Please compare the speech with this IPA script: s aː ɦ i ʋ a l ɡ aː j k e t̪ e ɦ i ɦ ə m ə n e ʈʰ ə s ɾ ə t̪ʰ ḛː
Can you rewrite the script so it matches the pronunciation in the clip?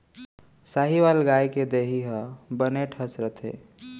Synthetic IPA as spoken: s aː ɦ i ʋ a l ɡ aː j k e d̪ e ɦ i ɦ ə b ə n e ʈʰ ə s ɾ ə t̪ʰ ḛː